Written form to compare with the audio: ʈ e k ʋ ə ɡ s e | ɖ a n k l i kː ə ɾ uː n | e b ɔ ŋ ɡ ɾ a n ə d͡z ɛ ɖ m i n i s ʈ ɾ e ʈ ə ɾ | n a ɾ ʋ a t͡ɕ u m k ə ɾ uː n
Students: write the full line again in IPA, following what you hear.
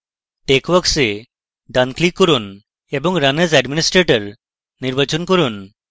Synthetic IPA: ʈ e k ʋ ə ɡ s e | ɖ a n k l i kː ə ɾ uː n | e b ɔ ŋ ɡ ɾ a n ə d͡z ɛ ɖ m i n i s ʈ ɾ e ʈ ə ɾ | n i ɾ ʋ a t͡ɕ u n k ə ɾ uː n